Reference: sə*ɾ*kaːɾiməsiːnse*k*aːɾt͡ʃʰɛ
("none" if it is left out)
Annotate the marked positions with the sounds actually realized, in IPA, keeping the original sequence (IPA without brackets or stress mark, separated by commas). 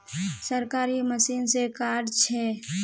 ɾ, k